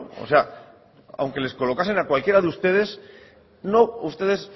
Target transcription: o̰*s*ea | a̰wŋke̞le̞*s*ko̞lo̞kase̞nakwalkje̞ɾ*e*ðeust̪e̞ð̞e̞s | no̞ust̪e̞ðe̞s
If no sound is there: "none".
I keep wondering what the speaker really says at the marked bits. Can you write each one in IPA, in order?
s, s, a

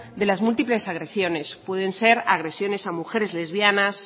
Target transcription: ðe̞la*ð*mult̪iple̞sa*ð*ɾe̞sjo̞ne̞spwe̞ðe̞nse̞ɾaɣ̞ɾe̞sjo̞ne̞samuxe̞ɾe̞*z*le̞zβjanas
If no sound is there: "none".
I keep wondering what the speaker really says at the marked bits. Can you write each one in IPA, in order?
z, ɣ, z

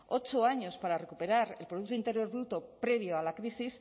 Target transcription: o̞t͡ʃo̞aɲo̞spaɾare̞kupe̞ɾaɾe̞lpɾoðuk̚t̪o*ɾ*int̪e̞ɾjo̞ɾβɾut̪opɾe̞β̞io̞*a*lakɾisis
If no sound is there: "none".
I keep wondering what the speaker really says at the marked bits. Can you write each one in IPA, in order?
none, a

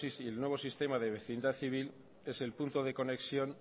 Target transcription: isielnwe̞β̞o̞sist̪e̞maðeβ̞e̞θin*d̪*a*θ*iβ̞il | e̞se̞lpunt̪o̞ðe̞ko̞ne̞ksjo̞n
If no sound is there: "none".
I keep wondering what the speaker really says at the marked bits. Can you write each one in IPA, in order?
d̪, θ

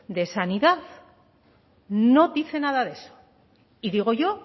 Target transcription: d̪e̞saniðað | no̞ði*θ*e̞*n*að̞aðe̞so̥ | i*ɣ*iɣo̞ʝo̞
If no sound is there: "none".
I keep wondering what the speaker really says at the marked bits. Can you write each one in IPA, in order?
θ, n, ð

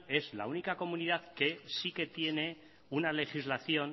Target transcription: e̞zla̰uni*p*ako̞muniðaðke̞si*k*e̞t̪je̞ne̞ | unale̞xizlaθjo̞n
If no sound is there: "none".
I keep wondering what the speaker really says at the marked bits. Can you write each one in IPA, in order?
k, k

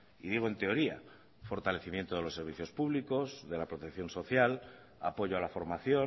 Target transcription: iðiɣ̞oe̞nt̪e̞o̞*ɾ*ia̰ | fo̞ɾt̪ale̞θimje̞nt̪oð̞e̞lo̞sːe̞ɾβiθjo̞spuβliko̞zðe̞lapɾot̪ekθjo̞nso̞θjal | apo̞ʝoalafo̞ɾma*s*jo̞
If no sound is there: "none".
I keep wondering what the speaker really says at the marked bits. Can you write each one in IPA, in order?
ɾ, θ

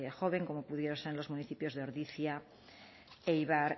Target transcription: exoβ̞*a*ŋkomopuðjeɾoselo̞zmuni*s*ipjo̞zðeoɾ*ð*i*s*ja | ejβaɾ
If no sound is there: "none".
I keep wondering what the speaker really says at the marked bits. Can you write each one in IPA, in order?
e, θ, ð, θ

